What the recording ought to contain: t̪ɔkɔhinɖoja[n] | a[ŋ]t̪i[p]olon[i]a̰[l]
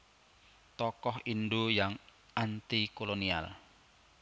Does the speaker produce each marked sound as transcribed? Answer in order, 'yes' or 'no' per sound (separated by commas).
no, no, no, yes, yes